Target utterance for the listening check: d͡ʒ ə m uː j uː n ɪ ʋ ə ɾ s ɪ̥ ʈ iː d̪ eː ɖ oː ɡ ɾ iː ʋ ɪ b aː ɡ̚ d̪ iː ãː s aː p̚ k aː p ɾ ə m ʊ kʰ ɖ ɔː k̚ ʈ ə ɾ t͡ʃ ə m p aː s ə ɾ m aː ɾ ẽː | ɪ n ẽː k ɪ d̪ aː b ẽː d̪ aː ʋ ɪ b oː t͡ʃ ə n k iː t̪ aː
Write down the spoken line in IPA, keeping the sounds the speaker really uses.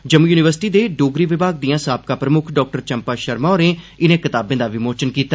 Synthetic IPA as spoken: d͡ʒ ə m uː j uː n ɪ ʋ ə ɾ s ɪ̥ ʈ iː d̪ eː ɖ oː ɡ ɾ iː ʋ ɪ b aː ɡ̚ d̪ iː ãː s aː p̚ k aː p ɾ ə m ʊ kʰ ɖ ɔː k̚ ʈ ə ɾ t͡ʃ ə m p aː ʃ ə ɾ m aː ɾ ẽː | ɪ n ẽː k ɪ t̪ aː b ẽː d̪ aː ʋ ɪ m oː t͡ʃ ə n k iː t̪ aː